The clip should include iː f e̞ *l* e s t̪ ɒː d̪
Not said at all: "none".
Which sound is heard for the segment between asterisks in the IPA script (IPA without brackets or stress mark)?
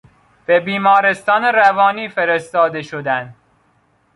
ɾ